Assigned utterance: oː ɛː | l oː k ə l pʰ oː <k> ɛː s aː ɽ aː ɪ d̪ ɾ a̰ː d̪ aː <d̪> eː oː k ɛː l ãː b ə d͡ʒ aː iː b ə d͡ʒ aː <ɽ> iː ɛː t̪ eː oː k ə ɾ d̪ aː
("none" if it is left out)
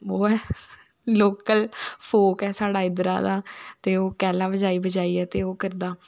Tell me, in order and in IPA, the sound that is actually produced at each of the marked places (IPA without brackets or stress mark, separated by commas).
k, t̪, none